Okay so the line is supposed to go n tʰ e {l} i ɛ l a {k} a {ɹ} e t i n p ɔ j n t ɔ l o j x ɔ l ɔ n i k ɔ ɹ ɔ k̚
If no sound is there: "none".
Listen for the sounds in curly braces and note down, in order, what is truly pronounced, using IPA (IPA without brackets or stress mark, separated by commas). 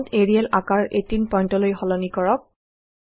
ɹ, k, ɹ